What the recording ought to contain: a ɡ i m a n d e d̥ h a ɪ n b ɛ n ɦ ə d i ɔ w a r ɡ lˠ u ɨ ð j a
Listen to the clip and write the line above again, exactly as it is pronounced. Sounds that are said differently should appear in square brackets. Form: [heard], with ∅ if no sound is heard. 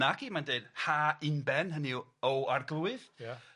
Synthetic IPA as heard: a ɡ i m a n d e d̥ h a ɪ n b ɛ n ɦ ə [n] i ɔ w a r ɡ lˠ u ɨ ð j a